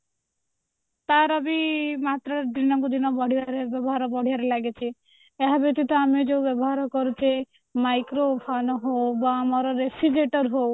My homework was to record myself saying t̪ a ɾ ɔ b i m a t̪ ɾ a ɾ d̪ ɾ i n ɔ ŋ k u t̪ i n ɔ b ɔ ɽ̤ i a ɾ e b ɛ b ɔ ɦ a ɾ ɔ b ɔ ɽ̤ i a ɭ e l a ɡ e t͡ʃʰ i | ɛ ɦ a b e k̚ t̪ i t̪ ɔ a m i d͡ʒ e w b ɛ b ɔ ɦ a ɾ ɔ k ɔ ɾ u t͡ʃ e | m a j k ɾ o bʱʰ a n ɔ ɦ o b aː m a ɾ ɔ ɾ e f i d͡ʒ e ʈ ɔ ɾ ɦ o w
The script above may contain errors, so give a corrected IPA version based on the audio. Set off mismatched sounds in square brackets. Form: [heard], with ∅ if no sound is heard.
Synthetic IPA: t̪ a ɾ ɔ b i m a t̪ ɾ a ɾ d̪ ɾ i n ɔ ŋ k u [d̪] i n ɔ b ɔ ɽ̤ i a ɾ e b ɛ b ɔ ɦ a ɾ ɔ b ɔ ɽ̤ i a [ɾ] e l a ɡ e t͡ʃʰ i | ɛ ɦ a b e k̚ t̪ i t̪ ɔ a m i d͡ʒ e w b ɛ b ɔ ɦ a ɾ ɔ k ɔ ɾ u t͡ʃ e | m a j k ɾ o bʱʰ a n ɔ ɦ o b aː m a ɾ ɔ ɾ e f i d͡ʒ e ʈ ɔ ɾ ɦ o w

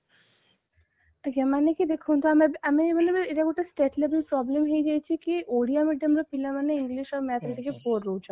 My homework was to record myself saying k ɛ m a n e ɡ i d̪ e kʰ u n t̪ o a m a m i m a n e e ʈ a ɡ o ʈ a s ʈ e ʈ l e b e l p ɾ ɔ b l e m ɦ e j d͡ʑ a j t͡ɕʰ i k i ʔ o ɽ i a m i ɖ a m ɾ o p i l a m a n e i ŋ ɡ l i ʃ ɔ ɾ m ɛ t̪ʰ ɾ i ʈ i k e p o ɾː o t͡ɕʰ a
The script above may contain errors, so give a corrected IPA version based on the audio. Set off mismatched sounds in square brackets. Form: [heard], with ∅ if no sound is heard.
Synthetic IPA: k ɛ m a n e [k] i d̪ e kʰ u n t̪ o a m a m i m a n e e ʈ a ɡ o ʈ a s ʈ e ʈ l e b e l p ɾ ɔ b l e m ɦ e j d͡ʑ a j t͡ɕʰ i k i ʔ o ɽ i a m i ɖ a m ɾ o p i l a m a n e i ŋ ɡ l i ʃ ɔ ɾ m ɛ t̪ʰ ɾ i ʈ i k e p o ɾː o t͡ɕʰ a

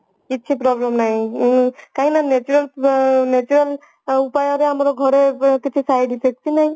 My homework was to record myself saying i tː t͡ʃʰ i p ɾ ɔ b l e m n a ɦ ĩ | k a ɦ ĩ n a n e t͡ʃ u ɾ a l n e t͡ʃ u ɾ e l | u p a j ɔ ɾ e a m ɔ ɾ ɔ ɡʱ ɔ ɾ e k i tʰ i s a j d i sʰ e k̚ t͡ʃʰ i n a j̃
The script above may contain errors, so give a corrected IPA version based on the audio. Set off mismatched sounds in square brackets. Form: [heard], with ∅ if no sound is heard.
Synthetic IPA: i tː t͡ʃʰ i p ɾ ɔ b l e m n a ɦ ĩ | k a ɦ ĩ n a n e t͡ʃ u ɾ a l n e t͡ʃ u ɾ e l | u p a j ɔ ɾ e a m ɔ ɾ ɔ ɡʱ ɔ ɾ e k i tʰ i s a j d i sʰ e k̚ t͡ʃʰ i n a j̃

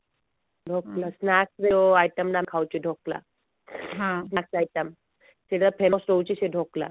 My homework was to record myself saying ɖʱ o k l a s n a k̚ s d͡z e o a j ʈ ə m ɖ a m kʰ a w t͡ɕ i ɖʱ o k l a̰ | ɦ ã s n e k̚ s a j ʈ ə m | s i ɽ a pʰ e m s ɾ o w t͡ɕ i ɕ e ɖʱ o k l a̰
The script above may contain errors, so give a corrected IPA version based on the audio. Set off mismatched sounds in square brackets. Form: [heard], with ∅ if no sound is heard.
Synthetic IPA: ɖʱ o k l a s n a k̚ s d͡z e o a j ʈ ə m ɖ a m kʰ a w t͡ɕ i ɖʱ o k l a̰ | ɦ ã s n [a] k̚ s a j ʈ ə m | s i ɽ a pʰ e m s ɾ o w t͡ɕ i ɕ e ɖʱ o k l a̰

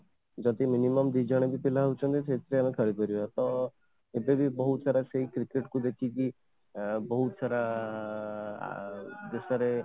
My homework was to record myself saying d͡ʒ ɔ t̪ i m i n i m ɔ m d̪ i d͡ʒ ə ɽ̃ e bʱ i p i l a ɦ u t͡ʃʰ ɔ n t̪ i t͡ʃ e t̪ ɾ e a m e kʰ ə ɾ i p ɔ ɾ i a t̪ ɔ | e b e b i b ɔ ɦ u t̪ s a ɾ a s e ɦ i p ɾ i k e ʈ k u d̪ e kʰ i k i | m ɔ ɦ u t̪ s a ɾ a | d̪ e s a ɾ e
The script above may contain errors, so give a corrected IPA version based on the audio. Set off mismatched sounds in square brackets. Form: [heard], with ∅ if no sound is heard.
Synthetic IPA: d͡ʒ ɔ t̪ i m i n i m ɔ m d̪ i d͡ʒ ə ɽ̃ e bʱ i p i l a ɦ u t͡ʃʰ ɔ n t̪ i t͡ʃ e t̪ ɾ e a m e kʰ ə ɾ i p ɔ ɾ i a t̪ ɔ | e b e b i b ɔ ɦ u t̪ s a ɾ a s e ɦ i [k] ɾ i k e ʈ k u d̪ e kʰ i k i | [b] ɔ ɦ u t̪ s a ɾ a | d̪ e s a ɾ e

